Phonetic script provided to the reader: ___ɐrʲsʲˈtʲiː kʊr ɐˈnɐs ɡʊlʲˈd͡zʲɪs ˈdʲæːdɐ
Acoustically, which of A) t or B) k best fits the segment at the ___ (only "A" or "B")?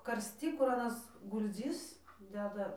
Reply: B